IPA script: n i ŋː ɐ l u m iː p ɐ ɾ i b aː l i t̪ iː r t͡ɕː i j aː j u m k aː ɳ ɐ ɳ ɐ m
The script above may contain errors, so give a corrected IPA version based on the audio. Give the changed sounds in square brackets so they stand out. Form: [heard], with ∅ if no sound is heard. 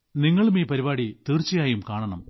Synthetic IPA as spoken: n i ŋː ɐ [ɭ] u m iː p ɐ ɾ i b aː [ɽ] i t̪ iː r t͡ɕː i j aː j u m k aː ɳ ɐ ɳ ɐ m